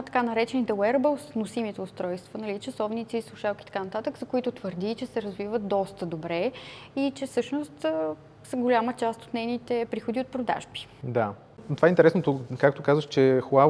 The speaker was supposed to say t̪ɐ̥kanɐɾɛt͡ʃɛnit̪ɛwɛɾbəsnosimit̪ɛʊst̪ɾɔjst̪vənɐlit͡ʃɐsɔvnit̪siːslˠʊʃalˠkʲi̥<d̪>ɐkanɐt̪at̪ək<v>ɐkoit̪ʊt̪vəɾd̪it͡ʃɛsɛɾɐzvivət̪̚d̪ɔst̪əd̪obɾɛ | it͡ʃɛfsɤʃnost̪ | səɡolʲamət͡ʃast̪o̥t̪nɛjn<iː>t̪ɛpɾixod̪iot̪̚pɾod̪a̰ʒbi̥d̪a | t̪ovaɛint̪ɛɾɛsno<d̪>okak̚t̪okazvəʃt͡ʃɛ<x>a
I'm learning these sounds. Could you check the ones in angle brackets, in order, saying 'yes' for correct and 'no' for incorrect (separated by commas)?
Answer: no, no, no, no, yes